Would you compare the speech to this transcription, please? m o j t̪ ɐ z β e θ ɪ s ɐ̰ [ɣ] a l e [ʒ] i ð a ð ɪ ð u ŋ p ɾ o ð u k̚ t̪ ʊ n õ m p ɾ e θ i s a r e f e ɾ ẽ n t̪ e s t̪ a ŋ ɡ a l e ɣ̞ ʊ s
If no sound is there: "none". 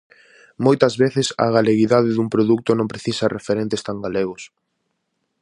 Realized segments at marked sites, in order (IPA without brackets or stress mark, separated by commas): ɣ, ɣ